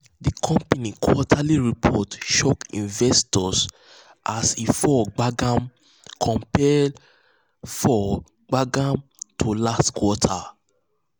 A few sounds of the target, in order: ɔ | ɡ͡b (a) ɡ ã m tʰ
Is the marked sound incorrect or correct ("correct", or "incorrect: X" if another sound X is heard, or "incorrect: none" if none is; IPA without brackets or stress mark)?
correct